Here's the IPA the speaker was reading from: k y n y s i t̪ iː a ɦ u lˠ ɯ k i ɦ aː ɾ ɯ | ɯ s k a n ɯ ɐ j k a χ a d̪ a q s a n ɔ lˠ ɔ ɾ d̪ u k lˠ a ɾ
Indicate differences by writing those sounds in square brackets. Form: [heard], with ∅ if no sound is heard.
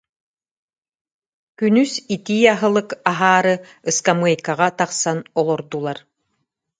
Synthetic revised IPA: k y n y s i t̪ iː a ɦ [ɯ] lˠ ɯ k [a] ɦ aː ɾ ɯ | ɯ s k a [m] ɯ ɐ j k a [ʁ] a [t̪] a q s a n ɔ lˠ ɔ ɾ d̪ u [∅] lˠ a ɾ